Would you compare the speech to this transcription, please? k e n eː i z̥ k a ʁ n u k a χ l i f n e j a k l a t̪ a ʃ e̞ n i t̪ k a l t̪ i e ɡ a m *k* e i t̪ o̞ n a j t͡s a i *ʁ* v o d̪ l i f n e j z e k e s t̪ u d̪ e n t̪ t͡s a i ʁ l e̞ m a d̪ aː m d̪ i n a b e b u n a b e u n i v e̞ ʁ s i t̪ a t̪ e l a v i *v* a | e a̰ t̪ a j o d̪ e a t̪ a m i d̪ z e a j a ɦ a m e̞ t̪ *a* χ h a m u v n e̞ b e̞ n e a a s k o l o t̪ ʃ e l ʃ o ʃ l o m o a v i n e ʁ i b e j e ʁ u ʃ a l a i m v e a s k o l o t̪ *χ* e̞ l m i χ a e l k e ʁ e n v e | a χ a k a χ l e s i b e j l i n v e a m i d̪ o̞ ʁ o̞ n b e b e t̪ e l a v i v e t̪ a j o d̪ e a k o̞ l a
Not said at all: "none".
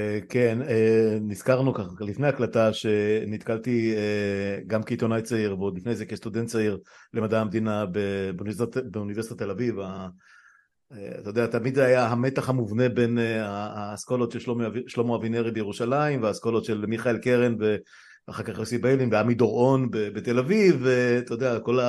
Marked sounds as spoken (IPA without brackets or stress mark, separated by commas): k, ʁ, v, a, ʃ